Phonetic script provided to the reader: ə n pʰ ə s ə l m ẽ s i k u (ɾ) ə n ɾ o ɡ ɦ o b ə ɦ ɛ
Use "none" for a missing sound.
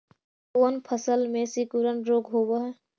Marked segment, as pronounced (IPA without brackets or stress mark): ɾ